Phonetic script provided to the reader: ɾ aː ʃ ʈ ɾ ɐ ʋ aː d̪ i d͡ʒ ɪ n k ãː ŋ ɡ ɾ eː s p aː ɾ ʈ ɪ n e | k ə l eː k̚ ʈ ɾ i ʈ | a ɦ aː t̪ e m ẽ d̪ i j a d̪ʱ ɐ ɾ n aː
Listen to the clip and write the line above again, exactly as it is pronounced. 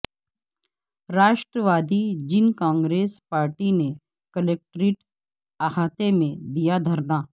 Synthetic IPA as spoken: ɾ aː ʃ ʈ ɾ ə ʋ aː d̪ i d͡ʒ ɪ n k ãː ŋ ɡ ɾ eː s p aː ɾ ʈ i n e | k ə l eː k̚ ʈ ɾ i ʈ | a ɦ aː t̪ e m ẽ d̪ i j a d̪ʱ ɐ ɾ n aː